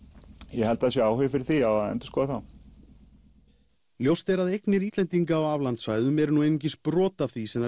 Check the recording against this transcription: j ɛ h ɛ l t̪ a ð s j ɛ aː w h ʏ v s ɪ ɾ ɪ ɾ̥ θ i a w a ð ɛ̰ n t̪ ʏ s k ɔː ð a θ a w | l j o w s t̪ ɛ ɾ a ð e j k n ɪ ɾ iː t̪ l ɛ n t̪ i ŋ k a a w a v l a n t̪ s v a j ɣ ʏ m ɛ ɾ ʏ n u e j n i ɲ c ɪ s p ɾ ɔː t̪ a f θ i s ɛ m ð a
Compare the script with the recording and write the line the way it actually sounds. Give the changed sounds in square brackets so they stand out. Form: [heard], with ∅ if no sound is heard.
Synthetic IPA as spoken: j ɛ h ɛ l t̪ a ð s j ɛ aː w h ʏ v [f] ɪ ɾ ɪ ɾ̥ θ i a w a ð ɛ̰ n t̪ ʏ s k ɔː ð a θ a w | l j o w s t̪ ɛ ɾ a ð e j k n ɪ ɾ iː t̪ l ɛ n t̪ i ŋ k a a w a v l a n t̪ s v a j [ð] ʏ m ɛ ɾ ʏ n u e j n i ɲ c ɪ s p ɾ ɔː t̪ a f θ i s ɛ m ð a